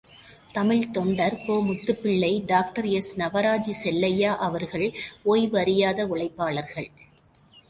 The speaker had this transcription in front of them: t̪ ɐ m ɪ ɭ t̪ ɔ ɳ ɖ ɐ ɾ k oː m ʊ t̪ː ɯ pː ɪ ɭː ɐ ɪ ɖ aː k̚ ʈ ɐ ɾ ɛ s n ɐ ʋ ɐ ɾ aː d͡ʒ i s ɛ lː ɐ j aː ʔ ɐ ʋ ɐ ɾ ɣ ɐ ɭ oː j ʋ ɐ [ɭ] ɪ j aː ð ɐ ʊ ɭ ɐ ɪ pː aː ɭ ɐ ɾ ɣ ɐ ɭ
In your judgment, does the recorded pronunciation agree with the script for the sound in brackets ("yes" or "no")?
no